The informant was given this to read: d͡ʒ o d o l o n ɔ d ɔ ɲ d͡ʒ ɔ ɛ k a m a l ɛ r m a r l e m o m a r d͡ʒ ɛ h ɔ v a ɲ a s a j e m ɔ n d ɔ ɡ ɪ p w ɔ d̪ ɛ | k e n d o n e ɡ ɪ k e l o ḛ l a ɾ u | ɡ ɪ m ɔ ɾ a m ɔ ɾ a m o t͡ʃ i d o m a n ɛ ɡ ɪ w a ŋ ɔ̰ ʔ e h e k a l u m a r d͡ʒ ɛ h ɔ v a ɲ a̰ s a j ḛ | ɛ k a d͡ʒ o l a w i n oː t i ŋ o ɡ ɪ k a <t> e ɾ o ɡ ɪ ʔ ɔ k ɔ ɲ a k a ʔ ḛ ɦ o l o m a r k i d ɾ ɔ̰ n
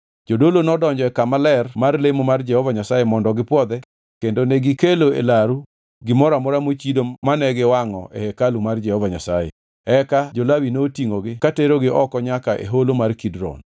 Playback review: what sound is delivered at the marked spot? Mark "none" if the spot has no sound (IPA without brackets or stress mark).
t